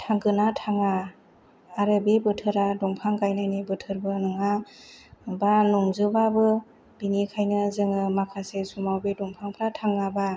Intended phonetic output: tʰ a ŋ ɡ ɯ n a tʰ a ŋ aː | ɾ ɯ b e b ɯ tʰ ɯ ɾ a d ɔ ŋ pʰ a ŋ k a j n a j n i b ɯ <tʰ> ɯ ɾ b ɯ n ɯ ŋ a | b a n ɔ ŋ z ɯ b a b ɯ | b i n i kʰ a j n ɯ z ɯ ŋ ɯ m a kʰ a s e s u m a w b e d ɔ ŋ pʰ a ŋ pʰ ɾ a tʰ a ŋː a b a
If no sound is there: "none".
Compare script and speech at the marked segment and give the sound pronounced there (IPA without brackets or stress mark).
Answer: tʰ